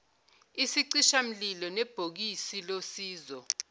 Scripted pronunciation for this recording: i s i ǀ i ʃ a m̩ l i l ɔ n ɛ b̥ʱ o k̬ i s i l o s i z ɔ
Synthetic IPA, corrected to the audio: i s i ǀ i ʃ a m̩ l i l ɔ n ɛ b̥ʱ o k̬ i s i l o s iː z ɔ